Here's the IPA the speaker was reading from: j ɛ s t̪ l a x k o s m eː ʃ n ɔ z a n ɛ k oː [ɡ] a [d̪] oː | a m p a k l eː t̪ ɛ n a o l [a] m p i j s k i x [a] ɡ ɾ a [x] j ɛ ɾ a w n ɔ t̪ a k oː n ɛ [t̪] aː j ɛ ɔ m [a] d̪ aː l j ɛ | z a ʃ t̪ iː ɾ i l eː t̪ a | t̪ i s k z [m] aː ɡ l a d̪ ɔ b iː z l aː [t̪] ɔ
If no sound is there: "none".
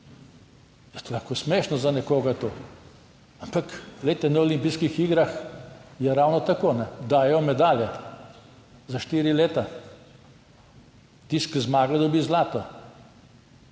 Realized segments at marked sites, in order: ɡ, t̪, i, i, x, d̪, ɛ, m, t̪

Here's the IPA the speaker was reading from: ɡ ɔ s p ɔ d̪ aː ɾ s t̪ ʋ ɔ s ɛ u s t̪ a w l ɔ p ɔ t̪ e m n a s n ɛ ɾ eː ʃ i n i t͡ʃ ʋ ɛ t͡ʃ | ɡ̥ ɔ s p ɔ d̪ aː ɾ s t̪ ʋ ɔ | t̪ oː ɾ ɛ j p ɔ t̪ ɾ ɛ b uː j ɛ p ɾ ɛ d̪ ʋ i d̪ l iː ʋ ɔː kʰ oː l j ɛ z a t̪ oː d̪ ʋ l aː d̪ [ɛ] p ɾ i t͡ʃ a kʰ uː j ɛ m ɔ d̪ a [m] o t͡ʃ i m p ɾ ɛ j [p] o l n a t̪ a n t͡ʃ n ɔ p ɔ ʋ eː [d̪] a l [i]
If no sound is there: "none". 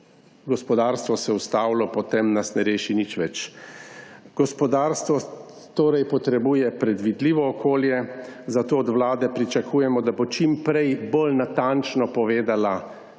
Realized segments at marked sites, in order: ɛ, b, b, d̪, a

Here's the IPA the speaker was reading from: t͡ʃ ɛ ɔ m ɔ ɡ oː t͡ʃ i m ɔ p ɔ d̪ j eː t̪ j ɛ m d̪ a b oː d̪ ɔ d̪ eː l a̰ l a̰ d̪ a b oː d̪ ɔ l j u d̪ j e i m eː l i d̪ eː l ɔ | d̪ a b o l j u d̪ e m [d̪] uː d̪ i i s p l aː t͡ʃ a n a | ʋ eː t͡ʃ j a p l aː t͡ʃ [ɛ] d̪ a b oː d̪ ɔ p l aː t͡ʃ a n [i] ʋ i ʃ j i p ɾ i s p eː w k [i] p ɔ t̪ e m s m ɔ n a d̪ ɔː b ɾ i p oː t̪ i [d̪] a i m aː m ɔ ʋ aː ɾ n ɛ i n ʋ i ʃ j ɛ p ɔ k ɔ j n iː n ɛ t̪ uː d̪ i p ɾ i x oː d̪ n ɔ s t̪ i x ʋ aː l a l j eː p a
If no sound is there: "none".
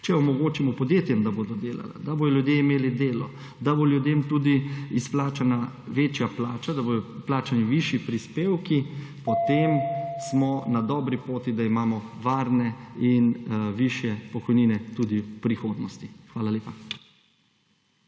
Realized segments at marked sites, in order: t̪, a, i, i, d̪

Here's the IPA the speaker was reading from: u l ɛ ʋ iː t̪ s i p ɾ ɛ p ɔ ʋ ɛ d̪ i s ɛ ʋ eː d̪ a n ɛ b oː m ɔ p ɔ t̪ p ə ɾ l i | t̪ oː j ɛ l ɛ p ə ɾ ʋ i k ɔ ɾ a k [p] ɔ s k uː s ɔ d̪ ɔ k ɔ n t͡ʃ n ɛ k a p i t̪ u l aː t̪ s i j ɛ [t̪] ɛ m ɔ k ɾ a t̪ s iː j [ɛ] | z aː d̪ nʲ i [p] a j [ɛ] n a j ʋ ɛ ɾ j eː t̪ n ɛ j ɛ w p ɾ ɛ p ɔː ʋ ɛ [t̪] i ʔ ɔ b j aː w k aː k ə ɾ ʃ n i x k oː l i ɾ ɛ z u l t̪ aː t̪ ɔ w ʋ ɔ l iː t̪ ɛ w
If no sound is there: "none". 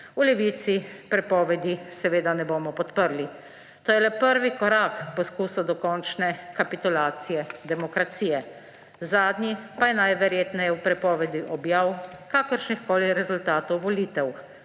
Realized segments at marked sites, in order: p, d̪, ɛ, p, ɛ, d̪

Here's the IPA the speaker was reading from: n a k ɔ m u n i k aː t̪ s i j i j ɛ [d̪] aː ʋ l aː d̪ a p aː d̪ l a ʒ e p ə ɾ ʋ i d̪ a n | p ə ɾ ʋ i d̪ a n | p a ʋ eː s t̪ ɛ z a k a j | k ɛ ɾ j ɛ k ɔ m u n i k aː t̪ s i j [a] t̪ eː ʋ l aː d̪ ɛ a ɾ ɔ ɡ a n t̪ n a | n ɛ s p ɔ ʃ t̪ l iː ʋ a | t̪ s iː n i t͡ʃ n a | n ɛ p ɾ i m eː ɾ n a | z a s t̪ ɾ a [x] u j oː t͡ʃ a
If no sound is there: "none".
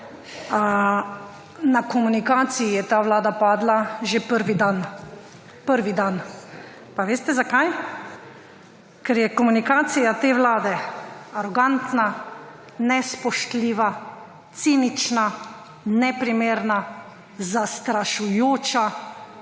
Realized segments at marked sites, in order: t̪, a, ʃ

